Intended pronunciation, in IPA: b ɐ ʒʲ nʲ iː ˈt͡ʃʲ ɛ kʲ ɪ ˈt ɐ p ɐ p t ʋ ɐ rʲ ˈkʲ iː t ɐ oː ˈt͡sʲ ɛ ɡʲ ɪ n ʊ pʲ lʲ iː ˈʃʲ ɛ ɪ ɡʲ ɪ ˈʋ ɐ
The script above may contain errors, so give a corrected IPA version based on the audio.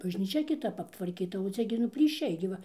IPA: b ɐ ʒʲ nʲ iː ˈt͡ʃʲ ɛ kʲ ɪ ˈt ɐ p ɐ p t ʋ ɐ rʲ ˈkʲ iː t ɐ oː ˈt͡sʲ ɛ ɡʲ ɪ n ʊ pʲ lʲ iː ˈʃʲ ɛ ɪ ɡʲ ɪ ˈʋ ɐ